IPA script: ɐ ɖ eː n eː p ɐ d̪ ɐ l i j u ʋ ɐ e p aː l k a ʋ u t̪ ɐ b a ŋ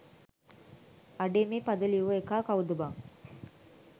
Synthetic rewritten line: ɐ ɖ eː m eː p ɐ d̪ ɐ l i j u ʋ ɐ e k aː k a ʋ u d̪ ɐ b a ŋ